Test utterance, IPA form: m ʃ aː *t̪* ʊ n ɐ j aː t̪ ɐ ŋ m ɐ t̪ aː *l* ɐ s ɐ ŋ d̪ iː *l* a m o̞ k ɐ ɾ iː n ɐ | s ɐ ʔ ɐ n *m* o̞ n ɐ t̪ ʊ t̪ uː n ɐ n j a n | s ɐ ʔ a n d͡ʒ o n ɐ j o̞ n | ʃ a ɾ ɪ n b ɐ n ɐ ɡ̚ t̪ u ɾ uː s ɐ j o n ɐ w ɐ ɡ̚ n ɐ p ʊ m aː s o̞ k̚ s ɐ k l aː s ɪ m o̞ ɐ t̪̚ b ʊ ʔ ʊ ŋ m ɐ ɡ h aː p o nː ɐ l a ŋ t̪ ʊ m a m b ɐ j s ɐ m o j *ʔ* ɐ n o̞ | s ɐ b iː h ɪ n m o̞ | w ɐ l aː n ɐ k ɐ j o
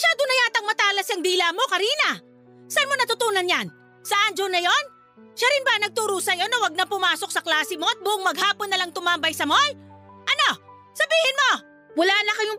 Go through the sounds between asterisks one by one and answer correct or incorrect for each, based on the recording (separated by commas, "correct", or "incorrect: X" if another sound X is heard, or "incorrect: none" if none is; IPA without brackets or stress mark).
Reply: incorrect: d̪, correct, correct, correct, correct